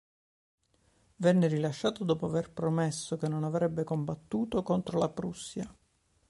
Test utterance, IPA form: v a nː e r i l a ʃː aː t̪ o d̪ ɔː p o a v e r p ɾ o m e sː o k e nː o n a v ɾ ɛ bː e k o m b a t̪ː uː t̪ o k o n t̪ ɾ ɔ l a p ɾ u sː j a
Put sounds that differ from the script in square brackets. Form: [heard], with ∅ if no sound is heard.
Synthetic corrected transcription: v [ɛ] nː e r i l a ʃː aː t̪ o d̪ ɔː p o a v e r p ɾ o m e sː o k e nː o n a v ɾ ɛ bː e k o m b a t̪ː uː t̪ o k o n t̪ ɾ [o] l a p ɾ u sː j a